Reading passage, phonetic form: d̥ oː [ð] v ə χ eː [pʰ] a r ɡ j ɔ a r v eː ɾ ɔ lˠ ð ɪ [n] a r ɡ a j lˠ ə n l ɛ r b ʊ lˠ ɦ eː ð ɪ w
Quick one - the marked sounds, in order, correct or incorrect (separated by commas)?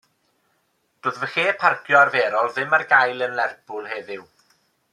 correct, correct, incorrect